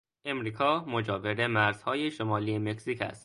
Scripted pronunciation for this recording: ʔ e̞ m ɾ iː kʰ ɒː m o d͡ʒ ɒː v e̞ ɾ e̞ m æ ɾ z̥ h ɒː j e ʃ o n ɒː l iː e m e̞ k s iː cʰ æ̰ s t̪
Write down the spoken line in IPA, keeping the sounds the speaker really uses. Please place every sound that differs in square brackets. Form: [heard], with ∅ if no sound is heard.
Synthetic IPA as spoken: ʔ e̞ m ɾ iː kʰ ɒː m o d͡ʒ ɒː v e̞ ɾ e̞ m æ ɾ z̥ h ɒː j e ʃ o [m] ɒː l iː e m e̞ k s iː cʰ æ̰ s t̪